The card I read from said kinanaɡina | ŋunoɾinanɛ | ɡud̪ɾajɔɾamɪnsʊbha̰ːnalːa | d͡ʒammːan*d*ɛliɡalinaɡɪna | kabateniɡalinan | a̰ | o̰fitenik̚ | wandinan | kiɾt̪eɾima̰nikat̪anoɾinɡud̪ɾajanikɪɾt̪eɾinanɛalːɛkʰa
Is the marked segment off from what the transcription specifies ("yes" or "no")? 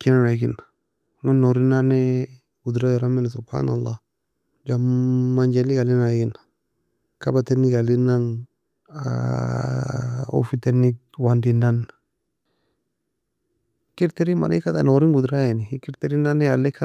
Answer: yes